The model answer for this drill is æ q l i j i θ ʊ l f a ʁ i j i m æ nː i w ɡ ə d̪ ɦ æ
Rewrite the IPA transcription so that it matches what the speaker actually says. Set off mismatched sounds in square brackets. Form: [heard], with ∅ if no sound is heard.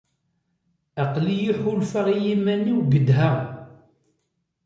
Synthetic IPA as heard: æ q l i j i [ħ] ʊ l f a ʁ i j i m æ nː i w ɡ ə d̪ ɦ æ